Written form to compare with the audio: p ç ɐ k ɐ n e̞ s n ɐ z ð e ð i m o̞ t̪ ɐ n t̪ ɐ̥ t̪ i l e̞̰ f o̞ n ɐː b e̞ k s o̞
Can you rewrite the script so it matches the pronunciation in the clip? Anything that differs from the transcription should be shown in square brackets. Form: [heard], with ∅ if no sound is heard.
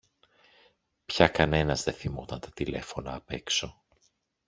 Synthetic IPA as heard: p ç ɐ k ɐ n e̞ [∅] n ɐ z ð e [θ] i m o̞ t̪ ɐ n t̪ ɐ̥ t̪ i l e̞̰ f o̞ n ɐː [p] e̞ k s o̞